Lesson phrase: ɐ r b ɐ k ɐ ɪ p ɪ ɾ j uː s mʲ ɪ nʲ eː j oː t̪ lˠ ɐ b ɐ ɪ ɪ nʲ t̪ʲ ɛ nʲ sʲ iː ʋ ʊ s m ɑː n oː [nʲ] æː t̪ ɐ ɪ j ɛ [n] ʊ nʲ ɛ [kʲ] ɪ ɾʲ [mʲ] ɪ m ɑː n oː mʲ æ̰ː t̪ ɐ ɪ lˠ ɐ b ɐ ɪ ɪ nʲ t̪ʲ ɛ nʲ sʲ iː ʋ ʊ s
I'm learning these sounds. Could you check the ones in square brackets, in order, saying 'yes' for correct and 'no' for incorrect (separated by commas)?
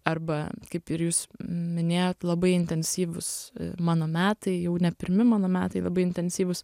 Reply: no, no, no, yes